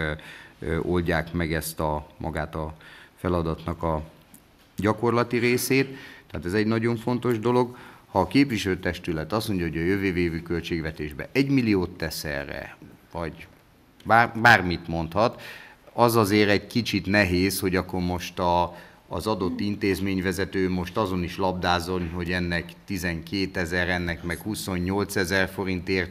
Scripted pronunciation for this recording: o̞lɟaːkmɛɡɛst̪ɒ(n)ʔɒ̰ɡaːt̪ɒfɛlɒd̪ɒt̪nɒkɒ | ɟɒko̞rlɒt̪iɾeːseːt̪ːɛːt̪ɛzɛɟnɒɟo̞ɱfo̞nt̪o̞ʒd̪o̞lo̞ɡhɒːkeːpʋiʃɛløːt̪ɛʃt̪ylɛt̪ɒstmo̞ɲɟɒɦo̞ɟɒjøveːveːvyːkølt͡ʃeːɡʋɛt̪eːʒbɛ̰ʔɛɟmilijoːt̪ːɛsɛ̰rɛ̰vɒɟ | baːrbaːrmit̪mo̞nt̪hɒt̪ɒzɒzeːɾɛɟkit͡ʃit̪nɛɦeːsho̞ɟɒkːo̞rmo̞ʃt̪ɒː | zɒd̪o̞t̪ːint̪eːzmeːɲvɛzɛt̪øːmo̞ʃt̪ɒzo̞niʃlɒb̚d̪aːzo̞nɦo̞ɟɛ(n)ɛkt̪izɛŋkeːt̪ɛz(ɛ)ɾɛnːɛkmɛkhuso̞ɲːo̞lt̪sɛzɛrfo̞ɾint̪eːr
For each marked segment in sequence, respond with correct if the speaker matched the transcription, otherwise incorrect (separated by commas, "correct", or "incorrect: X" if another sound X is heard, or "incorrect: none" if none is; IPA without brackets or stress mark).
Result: incorrect: m, incorrect: nː, correct